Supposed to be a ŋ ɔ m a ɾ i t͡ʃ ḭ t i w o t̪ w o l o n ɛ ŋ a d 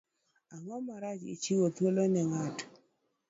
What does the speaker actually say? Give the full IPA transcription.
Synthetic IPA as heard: a ŋ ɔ m a ɾ a t͡ʃ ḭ t͡ʃ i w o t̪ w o l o n ɛ ŋ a t